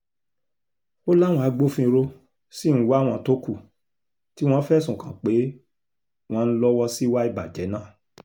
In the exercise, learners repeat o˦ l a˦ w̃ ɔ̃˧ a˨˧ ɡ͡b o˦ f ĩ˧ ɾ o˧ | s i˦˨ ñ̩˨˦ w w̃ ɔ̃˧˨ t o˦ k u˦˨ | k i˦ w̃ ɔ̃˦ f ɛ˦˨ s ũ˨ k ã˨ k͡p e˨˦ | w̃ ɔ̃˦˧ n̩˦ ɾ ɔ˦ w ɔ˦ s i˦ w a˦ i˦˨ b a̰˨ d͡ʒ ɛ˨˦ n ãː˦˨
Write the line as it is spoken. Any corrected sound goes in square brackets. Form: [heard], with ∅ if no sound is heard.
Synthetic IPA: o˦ l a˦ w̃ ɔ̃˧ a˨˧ ɡ͡b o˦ f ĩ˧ ɾ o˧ | s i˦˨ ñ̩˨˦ w w̃ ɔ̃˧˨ t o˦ k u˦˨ | [t] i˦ w̃ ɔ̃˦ f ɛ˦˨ s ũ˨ k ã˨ k͡p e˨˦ | w̃ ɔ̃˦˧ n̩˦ [l] ɔ˦ w ɔ˦ s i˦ w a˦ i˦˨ b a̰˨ d͡ʒ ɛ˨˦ n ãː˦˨